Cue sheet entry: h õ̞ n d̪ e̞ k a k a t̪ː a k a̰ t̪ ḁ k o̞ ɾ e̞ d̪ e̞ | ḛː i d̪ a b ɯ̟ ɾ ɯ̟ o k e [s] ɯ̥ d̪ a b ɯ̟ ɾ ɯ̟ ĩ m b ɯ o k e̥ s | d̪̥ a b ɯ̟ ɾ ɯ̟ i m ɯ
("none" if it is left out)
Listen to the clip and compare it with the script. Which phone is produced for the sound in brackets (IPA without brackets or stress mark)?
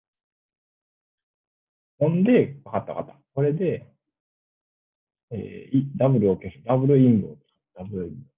s